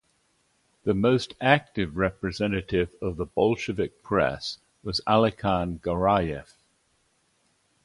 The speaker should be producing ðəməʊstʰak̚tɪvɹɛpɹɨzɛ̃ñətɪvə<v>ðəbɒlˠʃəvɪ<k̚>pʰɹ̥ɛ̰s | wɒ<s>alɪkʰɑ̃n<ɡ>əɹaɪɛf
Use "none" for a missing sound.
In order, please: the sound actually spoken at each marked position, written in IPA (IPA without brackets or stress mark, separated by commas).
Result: v, k̚, z, ɡ